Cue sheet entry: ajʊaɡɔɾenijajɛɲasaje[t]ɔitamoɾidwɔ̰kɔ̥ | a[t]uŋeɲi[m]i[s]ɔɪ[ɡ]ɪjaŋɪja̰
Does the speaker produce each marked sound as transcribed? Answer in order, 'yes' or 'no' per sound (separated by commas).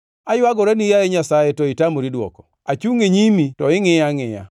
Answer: yes, no, yes, no, no